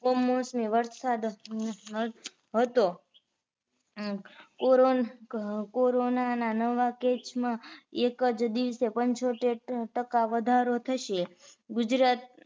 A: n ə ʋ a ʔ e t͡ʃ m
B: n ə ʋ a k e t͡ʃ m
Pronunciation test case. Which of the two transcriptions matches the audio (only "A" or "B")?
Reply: B